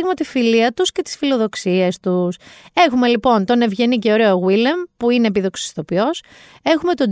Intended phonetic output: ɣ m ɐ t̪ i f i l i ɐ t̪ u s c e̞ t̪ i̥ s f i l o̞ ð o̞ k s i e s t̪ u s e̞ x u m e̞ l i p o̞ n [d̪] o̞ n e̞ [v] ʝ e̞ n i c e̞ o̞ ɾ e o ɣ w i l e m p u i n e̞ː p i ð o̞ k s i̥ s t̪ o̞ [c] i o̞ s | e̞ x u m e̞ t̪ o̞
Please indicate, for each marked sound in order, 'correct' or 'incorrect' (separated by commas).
incorrect, correct, incorrect